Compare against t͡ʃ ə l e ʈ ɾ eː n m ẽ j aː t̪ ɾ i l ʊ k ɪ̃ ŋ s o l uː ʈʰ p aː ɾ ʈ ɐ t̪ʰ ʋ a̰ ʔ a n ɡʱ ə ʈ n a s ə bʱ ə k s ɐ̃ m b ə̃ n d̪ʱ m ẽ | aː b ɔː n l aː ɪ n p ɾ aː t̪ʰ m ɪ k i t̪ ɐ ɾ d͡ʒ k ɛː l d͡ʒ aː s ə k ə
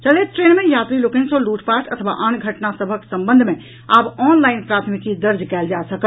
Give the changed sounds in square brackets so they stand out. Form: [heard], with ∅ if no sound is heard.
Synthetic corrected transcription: t͡ʃ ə l e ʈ ɾ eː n m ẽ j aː t̪ ɾ i l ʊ k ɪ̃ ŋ s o l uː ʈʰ p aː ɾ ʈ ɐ t̪ʰ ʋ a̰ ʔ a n ɡʱ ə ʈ n a s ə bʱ ə k s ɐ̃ m b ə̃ n d̪ʱ m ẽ | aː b ɔː n l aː ɪ n p ɾ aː t̪ʰ m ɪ k i [d̪] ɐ ɾ d͡ʒ k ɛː l d͡ʒ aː s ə k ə